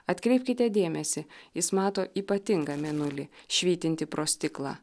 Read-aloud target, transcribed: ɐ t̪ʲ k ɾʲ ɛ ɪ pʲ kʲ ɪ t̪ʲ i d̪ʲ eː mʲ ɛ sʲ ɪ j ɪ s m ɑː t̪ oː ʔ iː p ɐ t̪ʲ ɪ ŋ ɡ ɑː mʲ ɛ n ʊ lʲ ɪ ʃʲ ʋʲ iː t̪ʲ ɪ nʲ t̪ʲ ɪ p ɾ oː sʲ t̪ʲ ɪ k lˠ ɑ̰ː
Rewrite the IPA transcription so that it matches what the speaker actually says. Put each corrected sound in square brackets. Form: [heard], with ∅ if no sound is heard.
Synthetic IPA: ɐ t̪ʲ k ɾʲ ɛ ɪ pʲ kʲ ɪ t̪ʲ [ɛ] d̪ʲ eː mʲ ɛ sʲ ɪ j ɪ s m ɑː t̪ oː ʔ iː p ɐ t̪ʲ ɪ ŋ ɡ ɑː mʲ ɛ n ʊ lʲ ɪ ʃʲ ʋʲ iː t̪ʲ ɪ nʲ t̪ʲ ɪ p ɾ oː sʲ t̪ʲ ɪ k lˠ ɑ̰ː

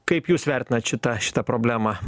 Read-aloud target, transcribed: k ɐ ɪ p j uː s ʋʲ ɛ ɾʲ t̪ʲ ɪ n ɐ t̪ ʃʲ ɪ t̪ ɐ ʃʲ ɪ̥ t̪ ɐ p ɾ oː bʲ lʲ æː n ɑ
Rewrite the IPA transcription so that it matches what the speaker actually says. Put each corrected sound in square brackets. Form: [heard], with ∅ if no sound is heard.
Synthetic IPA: k ɐ ɪ p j uː s ʋʲ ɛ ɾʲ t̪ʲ ɪ n ɐ t̪ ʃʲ ɪ t̪ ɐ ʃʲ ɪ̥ t̪ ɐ p ɾ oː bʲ lʲ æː [m] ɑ

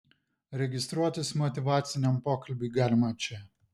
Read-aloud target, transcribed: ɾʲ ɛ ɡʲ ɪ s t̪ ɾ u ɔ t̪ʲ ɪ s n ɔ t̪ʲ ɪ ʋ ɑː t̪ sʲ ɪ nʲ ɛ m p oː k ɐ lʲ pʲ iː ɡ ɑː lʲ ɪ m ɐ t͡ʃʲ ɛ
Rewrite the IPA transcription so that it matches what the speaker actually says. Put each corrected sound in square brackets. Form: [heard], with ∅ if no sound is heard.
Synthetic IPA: ɾʲ ɛ ɡʲ ɪ s t̪ ɾ u ɔ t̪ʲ ɪ s [m] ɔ t̪ʲ ɪ ʋ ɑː t̪ sʲ ɪ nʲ ɛ m p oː k ɐ lʲ [bʲ] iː ɡ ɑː lʲ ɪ m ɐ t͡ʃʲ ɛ

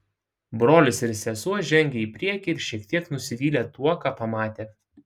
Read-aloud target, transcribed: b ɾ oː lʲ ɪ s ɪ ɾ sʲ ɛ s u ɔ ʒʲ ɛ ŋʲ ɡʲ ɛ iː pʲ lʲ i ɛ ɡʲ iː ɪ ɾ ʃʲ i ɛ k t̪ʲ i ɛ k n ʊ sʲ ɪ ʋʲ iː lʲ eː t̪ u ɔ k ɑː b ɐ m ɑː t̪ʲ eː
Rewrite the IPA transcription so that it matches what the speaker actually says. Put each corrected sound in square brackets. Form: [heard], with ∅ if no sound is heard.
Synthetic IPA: b ɾ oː lʲ ɪ s ɪ ɾ sʲ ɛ s u ɔ ʒʲ ɛ ŋʲ ɡʲ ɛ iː pʲ [ɾʲ] i ɛ [kʲ] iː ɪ ɾ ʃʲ i ɛ k t̪ʲ i ɛ k n ʊ sʲ ɪ ʋʲ iː lʲ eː t̪ u ɔ k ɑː [p] ɐ m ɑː t̪ʲ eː

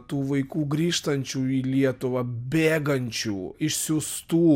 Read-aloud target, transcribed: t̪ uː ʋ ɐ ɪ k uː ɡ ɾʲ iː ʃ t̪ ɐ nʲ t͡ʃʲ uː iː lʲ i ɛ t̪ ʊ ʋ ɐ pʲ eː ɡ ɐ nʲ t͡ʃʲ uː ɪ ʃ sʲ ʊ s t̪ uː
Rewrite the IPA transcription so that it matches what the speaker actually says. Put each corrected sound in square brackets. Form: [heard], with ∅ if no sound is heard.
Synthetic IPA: t̪ uː ʋ ɐ ɪ k uː ɡ ɾʲ iː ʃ t̪ ɐ nʲ t͡ʃʲ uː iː lʲ i ɛ t̪ ʊ ʋ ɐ [bʲ] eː ɡ ɐ nʲ t͡ʃʲ uː ɪ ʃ sʲ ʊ s t̪ uː

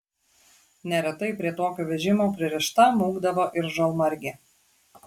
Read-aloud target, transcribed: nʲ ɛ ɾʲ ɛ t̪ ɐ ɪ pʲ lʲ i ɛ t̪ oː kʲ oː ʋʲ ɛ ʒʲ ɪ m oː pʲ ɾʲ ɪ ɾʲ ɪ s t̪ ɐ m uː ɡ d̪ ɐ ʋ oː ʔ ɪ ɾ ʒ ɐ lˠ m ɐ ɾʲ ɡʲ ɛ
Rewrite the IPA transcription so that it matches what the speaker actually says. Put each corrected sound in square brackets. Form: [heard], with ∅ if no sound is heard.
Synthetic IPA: nʲ ɛ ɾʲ ɛ t̪ ɐ ɪ pʲ [ɾʲ] i ɛ t̪ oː kʲ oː ʋʲ ɛ ʒʲ ɪ m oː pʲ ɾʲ ɪ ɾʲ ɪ [ʃ] t̪ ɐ m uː ɡ d̪ ɐ ʋ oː ʔ ɪ ɾ ʒ ɐ lˠ m ɐ ɾʲ ɡʲ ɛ

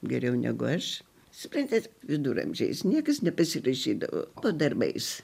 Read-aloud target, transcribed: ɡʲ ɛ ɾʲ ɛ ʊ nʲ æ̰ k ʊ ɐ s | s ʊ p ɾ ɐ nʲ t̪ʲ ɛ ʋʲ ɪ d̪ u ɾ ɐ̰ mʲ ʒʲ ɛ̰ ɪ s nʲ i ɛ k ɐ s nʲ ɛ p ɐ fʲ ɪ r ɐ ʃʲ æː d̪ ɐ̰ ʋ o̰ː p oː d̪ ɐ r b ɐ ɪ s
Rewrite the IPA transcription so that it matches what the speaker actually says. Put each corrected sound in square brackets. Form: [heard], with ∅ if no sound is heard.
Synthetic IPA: ɡʲ ɛ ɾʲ ɛ ʊ nʲ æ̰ [ɡ] ʊ ɐ [ʃ] | s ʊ p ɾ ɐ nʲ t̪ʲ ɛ ʋʲ ɪ d̪ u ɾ ɐ̰ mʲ ʒʲ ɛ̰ ɪ s nʲ i ɛ k ɐ s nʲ ɛ p ɐ [sʲ] ɪ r ɐ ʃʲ [iː] d̪ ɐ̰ ʋ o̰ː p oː d̪ ɐ r b ɐ ɪ s

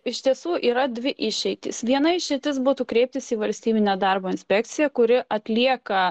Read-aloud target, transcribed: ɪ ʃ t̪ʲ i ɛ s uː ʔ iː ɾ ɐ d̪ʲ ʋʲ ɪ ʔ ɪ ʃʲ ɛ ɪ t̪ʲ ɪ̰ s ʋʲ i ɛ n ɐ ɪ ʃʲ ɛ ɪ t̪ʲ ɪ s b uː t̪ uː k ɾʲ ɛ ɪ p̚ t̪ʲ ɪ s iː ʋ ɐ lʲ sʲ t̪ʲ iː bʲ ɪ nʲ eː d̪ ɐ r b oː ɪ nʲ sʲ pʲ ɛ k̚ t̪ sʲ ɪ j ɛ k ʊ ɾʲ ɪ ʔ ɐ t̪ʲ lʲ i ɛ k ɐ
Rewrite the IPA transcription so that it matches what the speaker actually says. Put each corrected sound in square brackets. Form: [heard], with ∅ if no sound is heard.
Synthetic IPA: ɪ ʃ t̪ʲ i ɛ s uː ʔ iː ɾ ɐ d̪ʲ ʋʲ ɪ ʔ ɪ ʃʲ ɛ ɪ t̪ʲ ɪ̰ s ʋʲ i ɛ n ɐ ɪ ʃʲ ɛ ɪ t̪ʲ ɪ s b uː t̪ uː k ɾʲ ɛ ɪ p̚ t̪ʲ ɪ s iː ʋ ɐ lʲ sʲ t̪ʲ iː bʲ ɪ nʲ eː d̪ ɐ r b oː ɪ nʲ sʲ pʲ ɛ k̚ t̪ sʲ ɪ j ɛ k ʊ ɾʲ ɪ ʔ ɐ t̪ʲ lʲ i ɛ k ɐ

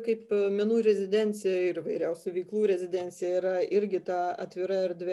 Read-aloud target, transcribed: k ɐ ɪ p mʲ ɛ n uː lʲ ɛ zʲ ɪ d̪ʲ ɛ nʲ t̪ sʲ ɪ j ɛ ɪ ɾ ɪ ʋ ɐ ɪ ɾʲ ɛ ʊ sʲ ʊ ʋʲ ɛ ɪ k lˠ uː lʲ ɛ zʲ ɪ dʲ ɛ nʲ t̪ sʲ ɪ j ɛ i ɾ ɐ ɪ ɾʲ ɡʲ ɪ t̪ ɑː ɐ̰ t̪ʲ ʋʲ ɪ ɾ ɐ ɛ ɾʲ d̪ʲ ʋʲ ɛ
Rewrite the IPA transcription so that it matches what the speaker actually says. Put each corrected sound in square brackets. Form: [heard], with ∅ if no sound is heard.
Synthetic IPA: k ɐ ɪ p mʲ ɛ n uː [ɾʲ] ɛ zʲ ɪ d̪ʲ ɛ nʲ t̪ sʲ ɪ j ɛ ɪ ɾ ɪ ʋ ɐ ɪ ɾʲ ɛ ʊ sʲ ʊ ʋʲ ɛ ɪ k lˠ uː [ɾʲ] ɛ zʲ ɪ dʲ ɛ nʲ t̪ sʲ ɪ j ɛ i ɾ ɐ ɪ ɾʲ ɡʲ ɪ t̪ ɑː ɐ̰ t̪ʲ ʋʲ ɪ ɾ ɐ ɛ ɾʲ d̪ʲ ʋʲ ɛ

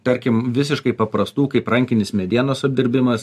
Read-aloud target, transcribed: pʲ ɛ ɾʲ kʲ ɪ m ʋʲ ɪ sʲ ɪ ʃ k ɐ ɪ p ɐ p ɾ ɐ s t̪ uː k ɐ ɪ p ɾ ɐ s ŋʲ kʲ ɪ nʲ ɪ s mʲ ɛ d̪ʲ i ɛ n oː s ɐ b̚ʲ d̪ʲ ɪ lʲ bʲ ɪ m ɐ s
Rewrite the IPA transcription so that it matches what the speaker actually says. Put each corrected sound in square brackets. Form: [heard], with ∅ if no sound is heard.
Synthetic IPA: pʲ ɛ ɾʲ kʲ ɪ m ʋʲ ɪ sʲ ɪ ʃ k ɐ ɪ p ɐ p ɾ ɐ s t̪ uː k ɐ ɪ p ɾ ɐ [∅] ŋʲ kʲ ɪ nʲ ɪ s mʲ ɛ d̪ʲ i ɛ n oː s ɐ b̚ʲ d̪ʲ ɪ [ɾʲ] bʲ ɪ m ɐ s

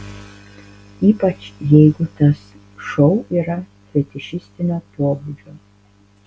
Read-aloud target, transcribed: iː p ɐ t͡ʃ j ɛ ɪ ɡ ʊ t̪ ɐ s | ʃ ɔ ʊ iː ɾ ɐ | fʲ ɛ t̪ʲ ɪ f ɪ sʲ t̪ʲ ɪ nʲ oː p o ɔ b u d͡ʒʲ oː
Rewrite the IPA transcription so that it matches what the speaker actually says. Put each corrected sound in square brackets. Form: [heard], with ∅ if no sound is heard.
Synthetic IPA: iː p ɐ t͡ʃ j ɛ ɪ ɡ ʊ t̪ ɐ s | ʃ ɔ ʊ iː ɾ ɐ | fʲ ɛ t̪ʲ ɪ [ʃ] ɪ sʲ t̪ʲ ɪ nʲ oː p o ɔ b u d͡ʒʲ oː

